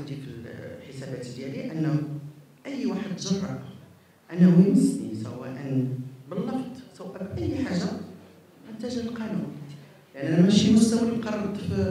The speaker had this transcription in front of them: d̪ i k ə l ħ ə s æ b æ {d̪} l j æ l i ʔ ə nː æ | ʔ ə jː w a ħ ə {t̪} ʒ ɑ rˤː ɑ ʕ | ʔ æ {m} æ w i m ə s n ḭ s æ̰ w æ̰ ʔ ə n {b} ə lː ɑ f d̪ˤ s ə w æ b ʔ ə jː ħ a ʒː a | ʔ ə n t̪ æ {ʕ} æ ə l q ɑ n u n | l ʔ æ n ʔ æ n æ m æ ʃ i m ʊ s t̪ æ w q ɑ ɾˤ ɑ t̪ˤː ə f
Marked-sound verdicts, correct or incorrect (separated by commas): incorrect, incorrect, incorrect, correct, incorrect